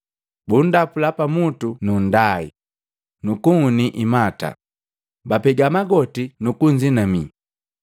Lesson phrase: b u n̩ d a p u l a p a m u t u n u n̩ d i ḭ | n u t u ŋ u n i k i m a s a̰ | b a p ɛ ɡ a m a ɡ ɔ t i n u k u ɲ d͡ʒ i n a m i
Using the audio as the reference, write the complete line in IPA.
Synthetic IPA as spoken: b u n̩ d a p u l a p a m u t u n u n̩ d a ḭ | n u k u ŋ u n i ʔ i m a t a̰ | b a p ɛ ɡ a m a ɡ ɔ t i n u k u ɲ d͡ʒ i n a m i